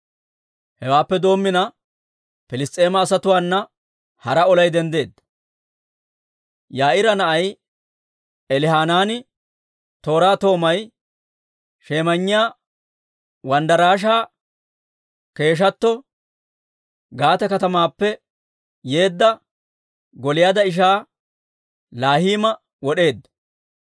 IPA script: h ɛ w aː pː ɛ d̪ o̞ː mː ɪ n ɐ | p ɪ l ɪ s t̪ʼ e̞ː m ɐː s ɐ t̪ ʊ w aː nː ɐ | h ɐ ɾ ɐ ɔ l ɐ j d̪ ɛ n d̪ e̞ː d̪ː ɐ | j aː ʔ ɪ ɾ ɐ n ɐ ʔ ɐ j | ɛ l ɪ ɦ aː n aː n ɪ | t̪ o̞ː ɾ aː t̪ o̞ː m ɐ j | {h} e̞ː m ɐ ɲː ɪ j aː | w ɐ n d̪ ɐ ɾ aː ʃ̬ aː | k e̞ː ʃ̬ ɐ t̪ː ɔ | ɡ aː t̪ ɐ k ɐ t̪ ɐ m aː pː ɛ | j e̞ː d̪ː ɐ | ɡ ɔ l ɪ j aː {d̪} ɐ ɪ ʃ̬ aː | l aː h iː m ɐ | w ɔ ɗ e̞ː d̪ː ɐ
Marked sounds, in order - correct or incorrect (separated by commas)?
incorrect, correct